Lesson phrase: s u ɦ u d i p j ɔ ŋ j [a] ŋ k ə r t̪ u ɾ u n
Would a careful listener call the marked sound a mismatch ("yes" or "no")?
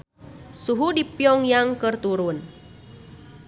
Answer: no